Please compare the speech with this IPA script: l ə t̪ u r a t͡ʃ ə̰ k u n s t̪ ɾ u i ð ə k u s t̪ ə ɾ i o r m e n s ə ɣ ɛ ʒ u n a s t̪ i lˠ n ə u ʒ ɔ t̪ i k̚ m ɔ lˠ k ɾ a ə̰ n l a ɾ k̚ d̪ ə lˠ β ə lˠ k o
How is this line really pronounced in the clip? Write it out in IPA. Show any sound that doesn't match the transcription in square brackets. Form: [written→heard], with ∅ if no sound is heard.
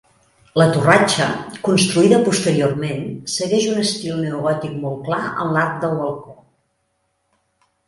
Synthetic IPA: l ə t̪ u r a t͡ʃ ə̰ k u n s t̪ ɾ u i ð ə [k→p] u s t̪ ə ɾ i o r m e n s ə ɣ ɛ ʒ u n [a→ə] s t̪ i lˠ n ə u [ʒ→ɣ] ɔ t̪ i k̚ m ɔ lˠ k [ɾ→l] a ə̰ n l a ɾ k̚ d̪ ə lˠ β ə lˠ k o